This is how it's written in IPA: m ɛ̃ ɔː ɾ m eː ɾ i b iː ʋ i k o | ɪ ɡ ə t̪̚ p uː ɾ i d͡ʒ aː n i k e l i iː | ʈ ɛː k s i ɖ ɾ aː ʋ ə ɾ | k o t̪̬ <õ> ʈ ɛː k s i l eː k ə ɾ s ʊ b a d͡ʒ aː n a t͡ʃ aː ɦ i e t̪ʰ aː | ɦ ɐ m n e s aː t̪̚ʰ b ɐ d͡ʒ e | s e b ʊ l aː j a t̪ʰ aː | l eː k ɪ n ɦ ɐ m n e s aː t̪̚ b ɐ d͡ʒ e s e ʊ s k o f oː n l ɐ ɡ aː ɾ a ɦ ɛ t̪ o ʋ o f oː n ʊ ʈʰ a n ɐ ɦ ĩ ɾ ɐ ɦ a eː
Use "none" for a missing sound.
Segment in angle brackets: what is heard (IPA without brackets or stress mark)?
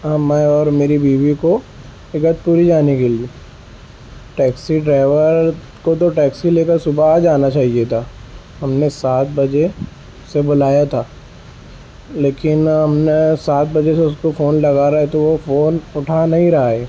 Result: o